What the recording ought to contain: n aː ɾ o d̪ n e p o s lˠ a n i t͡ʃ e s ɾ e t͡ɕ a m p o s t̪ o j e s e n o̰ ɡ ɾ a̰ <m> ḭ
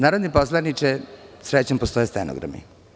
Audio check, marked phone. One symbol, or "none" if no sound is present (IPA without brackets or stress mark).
m